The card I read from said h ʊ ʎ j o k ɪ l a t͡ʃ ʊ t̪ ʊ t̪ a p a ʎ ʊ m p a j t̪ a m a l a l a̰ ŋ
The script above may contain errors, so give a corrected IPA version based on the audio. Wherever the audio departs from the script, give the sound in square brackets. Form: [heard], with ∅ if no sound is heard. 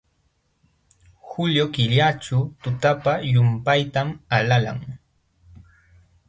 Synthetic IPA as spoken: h ʊ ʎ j o k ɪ [ʎ] a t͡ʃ ʊ t̪ ʊ t̪ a p a [j] ʊ m p a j t̪ a m a l a l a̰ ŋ

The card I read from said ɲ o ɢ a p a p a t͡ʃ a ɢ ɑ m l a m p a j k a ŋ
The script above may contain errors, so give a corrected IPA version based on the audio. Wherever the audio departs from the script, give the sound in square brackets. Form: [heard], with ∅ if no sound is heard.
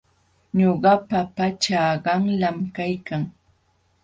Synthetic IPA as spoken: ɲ o ɢ [ɑ] p a p a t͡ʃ a ɢ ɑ [ŋ] l a m [k] a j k a ŋ

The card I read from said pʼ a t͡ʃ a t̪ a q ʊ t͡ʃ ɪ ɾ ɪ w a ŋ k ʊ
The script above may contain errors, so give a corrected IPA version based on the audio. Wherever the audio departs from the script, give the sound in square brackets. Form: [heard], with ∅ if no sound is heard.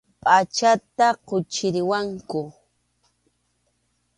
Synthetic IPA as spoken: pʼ a t͡ʃ a t̪ a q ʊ t͡ʃ ɪ ɾ ɪ w a ŋ k ʊ

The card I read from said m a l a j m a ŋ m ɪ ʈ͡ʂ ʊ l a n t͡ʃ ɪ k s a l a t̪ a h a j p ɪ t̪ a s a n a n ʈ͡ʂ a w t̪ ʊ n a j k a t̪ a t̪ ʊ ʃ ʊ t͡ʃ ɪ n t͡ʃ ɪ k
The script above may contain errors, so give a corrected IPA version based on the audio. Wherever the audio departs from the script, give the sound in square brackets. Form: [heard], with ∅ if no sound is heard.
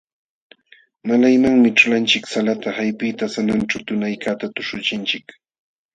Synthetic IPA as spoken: m a l a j m a ŋ m ɪ ʈ͡ʂ ʊ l a n t͡ʃ ɪ k s a l a t̪ a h a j p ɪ t̪ a s a n a n ʈ͡ʂ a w t̪ ʊ n a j k a t̪ a t̪ ʊ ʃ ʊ t͡ʃ ɪ n t͡ʃ ɪ k

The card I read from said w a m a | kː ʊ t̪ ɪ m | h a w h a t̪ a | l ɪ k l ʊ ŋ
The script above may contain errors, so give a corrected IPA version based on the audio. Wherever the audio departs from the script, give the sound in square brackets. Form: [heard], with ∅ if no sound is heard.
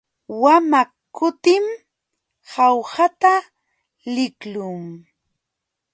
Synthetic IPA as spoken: w a m a | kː ʊ t̪ ɪ m | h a w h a t̪ a | l ɪ k l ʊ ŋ

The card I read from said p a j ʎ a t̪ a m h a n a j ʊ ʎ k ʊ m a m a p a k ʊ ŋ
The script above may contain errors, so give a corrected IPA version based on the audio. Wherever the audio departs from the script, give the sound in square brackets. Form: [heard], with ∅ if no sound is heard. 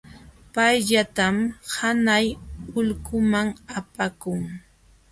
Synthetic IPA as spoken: p a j ʎ a t̪ a m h a n a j ʊ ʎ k ʊ m a [ŋ] a p a k ʊ ŋ

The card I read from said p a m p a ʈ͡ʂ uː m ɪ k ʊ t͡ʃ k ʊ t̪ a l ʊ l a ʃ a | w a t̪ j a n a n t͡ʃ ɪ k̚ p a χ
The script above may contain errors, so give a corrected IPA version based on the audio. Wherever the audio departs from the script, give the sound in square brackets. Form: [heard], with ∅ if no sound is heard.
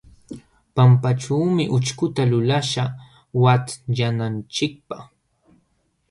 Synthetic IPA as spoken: p a m p a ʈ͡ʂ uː m ɪ [ʔ] ʊ t͡ʃ k ʊ t̪ a l ʊ l a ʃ a | w a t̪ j a n a n t͡ʃ ɪ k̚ p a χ

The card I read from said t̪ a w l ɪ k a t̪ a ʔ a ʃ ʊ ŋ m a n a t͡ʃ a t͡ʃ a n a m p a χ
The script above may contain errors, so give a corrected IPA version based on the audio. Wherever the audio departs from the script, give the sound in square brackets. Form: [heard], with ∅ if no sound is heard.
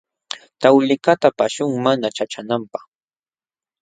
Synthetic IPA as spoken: t̪ a w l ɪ k a t̪ a [p] a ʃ ʊ ŋ m a n a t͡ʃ a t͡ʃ a n a m p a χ

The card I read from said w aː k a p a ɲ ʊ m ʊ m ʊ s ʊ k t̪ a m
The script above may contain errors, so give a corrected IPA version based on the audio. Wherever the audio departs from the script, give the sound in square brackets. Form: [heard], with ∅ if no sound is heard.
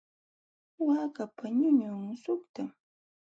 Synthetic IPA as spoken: w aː k a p a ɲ ʊ [ɲ] ʊ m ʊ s ʊ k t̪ a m

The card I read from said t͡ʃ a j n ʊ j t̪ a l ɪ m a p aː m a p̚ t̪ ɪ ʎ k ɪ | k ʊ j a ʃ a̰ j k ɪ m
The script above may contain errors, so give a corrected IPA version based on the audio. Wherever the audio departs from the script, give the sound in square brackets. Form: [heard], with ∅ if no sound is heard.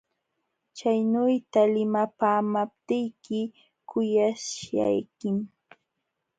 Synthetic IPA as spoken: t͡ʃ a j n ʊ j t̪ a l ɪ m a p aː m a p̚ t̪ ɪ [j] k ɪ | k ʊ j a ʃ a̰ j k ɪ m

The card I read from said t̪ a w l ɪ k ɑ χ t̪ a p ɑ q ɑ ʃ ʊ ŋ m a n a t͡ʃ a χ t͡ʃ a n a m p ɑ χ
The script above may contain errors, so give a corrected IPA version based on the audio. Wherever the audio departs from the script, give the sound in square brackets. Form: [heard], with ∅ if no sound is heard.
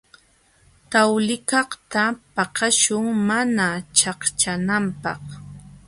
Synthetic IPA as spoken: t̪ a w l ɪ k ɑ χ t̪ a p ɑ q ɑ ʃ ʊ ŋ m a n a t͡ʃ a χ t͡ʃ a n a m p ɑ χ

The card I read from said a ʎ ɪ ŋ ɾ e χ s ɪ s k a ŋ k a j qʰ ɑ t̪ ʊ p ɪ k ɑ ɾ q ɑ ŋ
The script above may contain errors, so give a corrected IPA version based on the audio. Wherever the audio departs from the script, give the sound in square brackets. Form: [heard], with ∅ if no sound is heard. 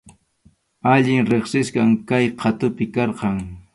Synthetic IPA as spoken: a ʎ ɪ ŋ ɾ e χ s ɪ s k a ŋ k a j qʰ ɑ t̪ ʊ p ɪ k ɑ ɾ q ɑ ŋ

